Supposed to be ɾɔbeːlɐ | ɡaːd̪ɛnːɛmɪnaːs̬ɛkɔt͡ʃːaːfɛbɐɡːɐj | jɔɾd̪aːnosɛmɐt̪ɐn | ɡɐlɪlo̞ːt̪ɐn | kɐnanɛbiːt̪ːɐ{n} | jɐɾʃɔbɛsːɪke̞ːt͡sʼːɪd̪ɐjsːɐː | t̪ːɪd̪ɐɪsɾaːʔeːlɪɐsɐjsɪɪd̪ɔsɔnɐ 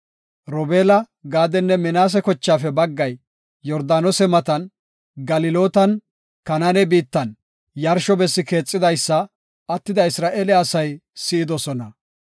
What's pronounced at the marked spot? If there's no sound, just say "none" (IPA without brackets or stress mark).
n